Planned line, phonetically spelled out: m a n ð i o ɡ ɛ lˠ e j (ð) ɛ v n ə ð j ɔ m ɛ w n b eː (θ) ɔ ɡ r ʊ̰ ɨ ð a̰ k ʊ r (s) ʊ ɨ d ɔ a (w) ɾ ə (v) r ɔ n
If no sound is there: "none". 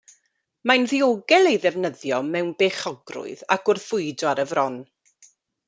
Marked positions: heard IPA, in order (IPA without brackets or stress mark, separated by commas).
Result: ð, χ, θ, none, v